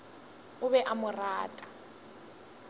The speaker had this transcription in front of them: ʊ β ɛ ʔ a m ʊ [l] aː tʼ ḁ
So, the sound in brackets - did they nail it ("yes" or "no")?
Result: no